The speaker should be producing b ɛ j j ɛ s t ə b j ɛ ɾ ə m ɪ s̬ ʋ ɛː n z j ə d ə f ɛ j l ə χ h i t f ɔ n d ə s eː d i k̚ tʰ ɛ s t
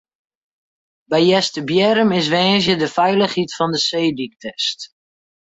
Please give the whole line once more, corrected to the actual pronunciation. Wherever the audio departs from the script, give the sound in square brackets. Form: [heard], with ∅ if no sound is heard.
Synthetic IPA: b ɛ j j ɛ s t ə b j ɛ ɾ ə m ɪ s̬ ʋ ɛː n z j ə d ə f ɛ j l ə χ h i t f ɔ n d ə s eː d i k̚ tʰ ɛ s t